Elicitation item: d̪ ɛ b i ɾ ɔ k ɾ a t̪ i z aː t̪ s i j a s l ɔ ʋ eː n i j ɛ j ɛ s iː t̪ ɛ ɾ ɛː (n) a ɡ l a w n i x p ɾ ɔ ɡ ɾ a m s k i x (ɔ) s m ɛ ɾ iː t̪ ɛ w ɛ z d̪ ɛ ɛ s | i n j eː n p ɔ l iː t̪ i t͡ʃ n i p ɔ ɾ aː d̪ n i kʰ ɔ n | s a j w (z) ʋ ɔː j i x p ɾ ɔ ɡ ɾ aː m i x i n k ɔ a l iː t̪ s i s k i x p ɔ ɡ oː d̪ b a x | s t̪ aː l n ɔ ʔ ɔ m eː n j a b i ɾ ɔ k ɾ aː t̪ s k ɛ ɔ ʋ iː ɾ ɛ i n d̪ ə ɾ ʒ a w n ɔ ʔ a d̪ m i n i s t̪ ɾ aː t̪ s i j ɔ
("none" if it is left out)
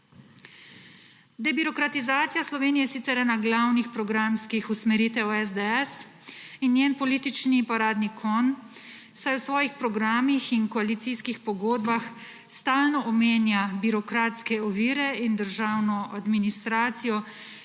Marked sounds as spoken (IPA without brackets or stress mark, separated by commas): n, u, s